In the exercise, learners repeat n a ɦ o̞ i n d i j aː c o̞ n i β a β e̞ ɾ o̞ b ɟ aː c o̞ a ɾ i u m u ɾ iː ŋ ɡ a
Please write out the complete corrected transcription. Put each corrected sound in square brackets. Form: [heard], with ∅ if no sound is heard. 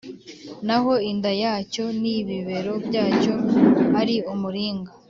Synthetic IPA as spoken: n a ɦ o̞ i n d [a] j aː c o̞ n i β [i] β e̞ ɾ o̞ b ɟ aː c o̞ a ɾ i u m u ɾ iː ŋ ɡ a